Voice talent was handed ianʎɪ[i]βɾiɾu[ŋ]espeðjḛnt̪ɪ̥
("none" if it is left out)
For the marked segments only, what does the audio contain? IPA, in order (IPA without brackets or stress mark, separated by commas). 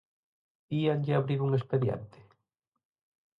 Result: a, ŋ